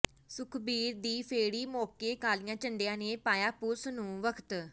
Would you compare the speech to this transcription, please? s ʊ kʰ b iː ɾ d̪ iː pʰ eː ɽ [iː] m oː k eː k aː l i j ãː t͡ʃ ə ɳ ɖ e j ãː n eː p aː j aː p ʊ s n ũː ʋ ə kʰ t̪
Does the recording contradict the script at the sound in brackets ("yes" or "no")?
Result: no